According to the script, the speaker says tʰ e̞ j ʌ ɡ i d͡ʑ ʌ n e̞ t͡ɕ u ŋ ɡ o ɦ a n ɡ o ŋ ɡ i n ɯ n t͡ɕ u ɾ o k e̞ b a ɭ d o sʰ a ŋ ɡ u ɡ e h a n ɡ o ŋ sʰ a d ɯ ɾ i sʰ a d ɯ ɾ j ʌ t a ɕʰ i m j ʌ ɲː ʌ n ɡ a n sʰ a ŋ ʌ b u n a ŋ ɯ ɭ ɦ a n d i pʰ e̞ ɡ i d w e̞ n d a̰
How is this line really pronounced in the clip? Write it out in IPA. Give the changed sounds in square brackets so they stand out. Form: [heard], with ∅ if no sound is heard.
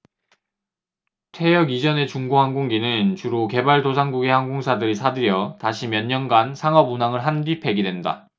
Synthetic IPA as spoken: tʰ e̞ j ʌ ɡ i d͡ʑ ʌ n e̞ t͡ɕ u ŋ ɡ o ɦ a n ɡ o ŋ ɡ i n ɯ n t͡ɕ u ɾ o k e̞ b a ɭ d o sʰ a ŋ ɡ u ɡ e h a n ɡ o ŋ sʰ a d ɯ ɾ i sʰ a d ɯ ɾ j ʌ t a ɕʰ i m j ʌ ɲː ʌ n ɡ a n sʰ a ŋ ʌ b u n a ŋ ɯ ɭ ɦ a n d i pʰ e̞ ɡ i d w e̞ n d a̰